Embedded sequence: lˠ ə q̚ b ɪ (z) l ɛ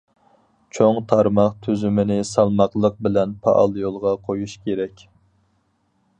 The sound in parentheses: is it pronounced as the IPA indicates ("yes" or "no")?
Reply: no